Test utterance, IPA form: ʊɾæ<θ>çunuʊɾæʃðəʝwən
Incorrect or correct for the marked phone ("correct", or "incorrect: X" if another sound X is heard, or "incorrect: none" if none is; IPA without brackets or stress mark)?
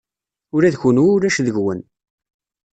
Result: incorrect: ð